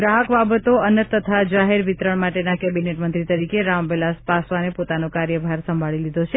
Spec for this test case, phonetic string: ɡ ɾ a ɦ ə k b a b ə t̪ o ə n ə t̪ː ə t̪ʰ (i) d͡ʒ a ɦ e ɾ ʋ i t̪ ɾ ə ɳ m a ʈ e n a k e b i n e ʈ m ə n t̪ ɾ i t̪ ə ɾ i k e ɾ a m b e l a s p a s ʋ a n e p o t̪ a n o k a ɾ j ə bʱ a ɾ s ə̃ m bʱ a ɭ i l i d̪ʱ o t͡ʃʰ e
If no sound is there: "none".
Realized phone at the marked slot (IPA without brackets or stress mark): a